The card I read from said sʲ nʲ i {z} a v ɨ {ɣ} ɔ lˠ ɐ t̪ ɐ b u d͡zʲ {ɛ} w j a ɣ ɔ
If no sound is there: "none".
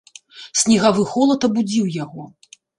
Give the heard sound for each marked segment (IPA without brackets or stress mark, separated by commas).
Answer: ɣ, x, i